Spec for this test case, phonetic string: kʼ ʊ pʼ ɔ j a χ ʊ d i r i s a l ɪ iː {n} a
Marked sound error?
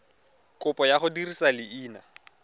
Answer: no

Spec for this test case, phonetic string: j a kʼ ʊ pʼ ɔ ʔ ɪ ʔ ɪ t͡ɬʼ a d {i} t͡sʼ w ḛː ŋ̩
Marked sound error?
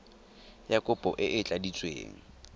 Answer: no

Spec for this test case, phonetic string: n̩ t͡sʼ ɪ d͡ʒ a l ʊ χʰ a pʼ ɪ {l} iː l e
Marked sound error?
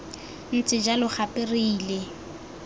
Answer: yes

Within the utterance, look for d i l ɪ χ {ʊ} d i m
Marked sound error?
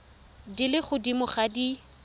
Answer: no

